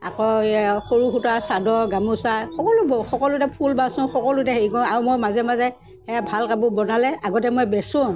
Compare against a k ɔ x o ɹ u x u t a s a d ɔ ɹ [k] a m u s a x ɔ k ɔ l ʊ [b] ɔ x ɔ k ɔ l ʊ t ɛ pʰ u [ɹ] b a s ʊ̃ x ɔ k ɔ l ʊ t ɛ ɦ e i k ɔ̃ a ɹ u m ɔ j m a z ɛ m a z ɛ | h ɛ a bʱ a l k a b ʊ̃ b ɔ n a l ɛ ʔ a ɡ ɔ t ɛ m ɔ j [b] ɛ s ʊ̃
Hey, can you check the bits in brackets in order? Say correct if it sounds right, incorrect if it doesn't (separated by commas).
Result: incorrect, correct, incorrect, correct